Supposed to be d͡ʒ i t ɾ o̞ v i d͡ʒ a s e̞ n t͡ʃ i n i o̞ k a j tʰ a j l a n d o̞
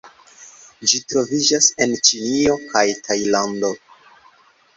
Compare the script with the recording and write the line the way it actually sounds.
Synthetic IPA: d͡ʒ i t ɾ o̞ v i d͡ʒ a s e̞ n t͡ʃ i n i o̞ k a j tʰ a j l a n d o̞